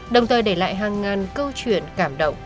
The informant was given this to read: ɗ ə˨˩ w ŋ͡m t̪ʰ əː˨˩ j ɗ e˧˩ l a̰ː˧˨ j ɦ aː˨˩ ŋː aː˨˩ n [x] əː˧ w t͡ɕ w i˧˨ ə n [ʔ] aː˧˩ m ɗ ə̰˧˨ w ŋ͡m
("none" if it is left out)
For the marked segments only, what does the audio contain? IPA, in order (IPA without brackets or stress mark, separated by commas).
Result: k, k